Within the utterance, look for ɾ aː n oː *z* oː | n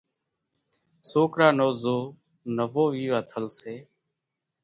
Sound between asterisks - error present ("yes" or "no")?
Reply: no